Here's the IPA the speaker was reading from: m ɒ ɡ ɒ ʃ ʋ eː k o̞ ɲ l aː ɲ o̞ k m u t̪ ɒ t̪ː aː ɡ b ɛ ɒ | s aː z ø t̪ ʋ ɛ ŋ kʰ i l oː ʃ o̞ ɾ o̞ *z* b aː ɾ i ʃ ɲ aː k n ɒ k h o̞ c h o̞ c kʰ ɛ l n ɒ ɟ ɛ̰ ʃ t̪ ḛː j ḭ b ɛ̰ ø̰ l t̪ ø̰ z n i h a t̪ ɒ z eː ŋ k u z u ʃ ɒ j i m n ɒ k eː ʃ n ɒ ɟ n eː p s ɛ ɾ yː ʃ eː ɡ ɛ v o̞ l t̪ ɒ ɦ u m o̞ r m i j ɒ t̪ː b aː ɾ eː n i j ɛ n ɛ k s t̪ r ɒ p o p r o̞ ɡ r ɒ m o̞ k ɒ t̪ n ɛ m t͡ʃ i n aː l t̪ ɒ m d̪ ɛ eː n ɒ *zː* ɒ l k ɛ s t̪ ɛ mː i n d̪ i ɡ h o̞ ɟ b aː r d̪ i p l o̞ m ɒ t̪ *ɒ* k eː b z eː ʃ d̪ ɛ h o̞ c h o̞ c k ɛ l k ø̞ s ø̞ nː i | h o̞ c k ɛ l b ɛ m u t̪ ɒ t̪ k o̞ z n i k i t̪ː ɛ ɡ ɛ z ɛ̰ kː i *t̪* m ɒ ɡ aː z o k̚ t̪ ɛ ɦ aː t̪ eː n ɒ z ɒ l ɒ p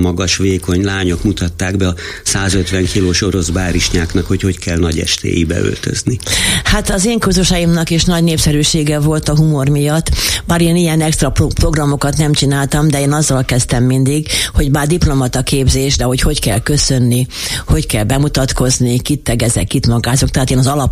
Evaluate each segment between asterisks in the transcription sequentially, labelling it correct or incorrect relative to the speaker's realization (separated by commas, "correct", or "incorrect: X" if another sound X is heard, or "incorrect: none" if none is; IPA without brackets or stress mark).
correct, correct, correct, correct